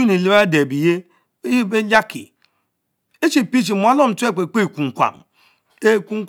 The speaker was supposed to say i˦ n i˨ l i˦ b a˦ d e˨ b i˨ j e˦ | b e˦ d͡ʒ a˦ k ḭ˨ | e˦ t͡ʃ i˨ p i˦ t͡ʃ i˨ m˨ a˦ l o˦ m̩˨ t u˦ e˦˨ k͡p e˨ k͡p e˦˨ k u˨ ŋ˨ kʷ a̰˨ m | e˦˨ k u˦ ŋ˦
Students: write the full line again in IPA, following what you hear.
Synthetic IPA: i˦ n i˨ l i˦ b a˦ d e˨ b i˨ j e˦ | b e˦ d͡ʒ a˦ k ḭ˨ | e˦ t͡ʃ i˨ p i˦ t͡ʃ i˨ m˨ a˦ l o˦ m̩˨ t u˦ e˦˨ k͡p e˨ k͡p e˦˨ k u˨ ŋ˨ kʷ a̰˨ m | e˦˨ k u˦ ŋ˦